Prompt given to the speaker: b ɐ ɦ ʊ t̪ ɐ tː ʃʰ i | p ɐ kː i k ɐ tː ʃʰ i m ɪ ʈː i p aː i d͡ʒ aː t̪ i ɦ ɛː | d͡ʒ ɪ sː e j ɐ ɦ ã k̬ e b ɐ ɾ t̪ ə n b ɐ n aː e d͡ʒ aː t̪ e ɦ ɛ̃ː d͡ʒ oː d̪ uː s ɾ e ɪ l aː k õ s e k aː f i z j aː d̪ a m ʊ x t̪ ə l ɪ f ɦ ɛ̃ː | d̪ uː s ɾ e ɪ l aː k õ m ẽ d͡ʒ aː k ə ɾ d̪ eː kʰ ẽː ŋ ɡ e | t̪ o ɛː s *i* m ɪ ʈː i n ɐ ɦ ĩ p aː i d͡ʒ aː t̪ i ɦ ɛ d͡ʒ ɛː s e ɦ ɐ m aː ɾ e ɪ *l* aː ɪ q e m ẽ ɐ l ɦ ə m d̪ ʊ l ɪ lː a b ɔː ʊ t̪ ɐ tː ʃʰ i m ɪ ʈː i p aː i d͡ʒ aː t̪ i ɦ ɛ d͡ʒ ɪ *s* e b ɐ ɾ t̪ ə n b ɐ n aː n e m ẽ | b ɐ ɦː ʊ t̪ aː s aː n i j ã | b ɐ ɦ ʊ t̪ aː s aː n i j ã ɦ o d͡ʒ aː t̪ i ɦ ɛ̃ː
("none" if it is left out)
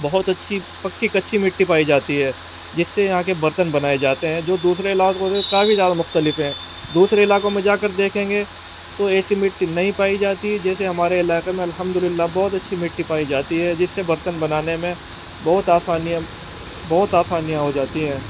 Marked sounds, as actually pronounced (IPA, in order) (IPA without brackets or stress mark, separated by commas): i, l, sː